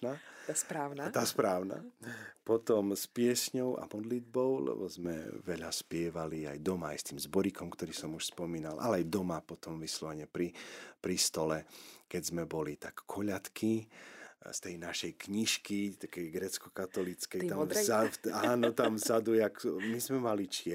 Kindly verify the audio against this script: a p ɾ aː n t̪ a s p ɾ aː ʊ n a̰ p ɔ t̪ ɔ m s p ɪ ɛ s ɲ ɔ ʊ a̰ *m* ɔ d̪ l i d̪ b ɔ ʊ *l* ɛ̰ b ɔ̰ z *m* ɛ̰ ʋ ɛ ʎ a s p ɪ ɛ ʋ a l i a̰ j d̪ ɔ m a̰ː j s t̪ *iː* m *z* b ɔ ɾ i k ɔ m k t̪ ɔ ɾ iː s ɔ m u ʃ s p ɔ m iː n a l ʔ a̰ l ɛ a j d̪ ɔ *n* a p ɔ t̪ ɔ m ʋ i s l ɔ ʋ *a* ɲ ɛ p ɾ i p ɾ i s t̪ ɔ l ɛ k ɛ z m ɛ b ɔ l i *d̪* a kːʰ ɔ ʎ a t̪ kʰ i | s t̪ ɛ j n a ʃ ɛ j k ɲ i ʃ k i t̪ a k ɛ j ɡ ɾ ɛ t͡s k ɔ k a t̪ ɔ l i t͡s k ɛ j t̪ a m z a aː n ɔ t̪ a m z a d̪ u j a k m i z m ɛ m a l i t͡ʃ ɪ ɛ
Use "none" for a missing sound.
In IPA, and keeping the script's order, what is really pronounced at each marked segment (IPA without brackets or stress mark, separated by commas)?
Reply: m, l, m, iː, z, m, ɛ, t̪